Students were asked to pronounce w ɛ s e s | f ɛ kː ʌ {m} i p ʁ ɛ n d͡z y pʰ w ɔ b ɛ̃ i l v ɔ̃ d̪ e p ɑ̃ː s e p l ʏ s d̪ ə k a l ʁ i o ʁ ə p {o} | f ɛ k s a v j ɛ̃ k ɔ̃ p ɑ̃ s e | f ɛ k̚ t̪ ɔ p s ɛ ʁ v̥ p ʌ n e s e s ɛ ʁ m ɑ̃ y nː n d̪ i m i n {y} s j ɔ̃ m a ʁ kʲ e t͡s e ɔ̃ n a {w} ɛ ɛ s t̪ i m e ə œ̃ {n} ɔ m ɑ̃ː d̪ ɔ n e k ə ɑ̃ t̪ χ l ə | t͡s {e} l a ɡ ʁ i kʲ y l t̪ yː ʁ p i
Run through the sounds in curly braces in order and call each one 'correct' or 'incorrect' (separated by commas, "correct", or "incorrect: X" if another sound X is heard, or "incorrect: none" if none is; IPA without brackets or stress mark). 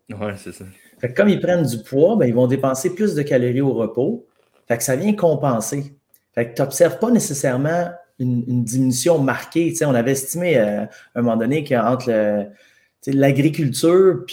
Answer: correct, correct, correct, incorrect: v, incorrect: m, correct